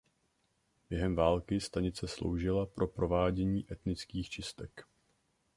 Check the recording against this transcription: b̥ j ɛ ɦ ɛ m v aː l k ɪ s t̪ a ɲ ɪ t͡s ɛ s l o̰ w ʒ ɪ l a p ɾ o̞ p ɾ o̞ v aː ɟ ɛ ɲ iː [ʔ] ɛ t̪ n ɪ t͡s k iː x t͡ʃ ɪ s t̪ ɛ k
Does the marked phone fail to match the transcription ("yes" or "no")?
no